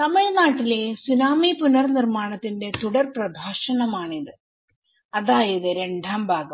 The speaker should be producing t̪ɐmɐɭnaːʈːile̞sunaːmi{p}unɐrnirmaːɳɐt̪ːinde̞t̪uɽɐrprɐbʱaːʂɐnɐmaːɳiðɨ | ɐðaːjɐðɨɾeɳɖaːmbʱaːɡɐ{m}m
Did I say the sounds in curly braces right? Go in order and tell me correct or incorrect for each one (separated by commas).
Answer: correct, correct